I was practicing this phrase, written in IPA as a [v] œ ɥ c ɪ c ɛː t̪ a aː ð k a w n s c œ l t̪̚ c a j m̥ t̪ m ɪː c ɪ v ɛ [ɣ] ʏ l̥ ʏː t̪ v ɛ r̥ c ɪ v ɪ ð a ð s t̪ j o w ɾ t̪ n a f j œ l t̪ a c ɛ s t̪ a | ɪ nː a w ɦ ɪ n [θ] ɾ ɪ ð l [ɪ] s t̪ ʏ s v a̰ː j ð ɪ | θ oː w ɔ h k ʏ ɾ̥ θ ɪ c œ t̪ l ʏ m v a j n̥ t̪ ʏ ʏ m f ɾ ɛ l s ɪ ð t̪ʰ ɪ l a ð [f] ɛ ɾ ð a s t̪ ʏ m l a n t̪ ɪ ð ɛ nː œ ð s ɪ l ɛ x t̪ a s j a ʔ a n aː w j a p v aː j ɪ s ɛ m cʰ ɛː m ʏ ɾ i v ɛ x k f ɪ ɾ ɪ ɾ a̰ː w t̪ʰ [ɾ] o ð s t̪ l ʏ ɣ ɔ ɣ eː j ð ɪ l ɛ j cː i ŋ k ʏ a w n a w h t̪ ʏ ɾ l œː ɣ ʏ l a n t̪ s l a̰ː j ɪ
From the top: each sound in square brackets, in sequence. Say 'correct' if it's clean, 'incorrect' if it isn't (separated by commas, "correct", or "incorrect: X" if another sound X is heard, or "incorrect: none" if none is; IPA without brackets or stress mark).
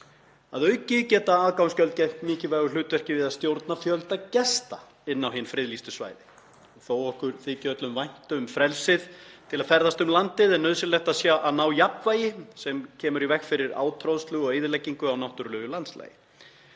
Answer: incorrect: ð, correct, incorrect: f, incorrect: i, correct, correct